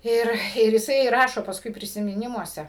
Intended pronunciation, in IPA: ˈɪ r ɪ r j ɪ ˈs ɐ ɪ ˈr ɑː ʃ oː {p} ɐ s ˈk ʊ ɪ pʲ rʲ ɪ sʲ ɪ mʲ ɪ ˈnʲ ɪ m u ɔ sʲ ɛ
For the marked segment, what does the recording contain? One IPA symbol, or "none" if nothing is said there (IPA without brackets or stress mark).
p